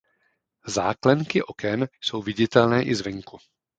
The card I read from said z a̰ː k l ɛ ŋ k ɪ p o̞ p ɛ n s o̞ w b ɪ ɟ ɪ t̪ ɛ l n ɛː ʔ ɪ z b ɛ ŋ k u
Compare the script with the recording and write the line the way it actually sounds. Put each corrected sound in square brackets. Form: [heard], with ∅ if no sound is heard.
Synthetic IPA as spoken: z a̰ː k l ɛ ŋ k ɪ [ʔ] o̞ [k] ɛ n s o̞ w [v] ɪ ɟ ɪ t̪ ɛ l n ɛː ʔ ɪ z [v] ɛ ŋ k u